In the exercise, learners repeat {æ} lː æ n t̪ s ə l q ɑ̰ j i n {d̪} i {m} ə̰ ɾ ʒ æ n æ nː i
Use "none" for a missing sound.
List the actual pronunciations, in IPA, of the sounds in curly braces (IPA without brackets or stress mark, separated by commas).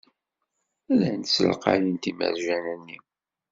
æ, t̪, m